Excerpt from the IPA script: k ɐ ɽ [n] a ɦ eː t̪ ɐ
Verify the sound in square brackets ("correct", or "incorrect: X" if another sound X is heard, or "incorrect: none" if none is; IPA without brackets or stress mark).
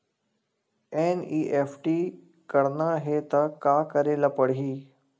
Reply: correct